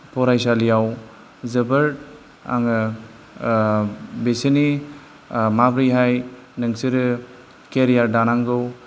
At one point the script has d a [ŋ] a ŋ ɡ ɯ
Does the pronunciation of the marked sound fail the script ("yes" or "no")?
yes